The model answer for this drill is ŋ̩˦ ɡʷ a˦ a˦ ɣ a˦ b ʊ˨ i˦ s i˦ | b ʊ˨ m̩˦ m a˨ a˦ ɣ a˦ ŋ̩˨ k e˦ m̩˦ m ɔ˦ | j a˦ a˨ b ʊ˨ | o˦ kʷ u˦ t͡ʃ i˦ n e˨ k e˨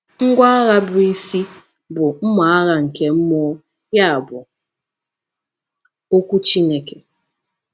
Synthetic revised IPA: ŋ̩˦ ɡʷ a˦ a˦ ɣ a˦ b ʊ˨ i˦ s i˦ | b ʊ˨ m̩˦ m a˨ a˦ ɣ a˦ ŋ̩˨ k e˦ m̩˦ m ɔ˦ | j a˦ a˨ b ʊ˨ | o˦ kʷ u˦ t͡ʃ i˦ n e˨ k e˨

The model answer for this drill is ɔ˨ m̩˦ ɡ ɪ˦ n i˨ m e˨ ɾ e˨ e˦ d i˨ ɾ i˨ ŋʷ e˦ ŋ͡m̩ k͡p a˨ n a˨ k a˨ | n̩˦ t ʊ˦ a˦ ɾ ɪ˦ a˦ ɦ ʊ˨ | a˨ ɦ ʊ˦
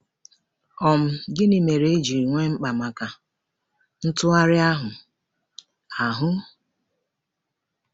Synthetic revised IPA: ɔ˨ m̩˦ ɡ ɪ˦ n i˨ m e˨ ɾ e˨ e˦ d͡ʒ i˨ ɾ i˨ ŋʷ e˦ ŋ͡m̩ k͡p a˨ m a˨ k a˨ | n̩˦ t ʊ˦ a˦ ɾ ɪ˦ a˦ ɦ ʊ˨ | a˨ ɦ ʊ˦

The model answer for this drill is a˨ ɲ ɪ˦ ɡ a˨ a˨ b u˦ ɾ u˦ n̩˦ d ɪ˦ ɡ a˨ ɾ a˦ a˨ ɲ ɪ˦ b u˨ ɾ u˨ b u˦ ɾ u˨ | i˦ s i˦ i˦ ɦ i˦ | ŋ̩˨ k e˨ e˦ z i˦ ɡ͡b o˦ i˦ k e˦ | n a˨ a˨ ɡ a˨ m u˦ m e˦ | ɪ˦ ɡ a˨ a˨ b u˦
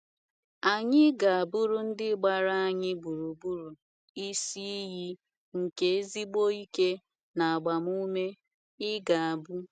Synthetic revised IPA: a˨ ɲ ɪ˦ ɡ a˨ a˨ b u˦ ɾ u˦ n̩˦ d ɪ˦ ɡ͡b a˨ ɾ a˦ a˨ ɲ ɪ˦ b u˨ ɾ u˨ b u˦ ɾ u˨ | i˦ s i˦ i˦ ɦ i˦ | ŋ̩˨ k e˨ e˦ z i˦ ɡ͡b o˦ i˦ k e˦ | n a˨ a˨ ɡ͡b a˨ m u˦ m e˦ | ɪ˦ ɡ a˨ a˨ b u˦

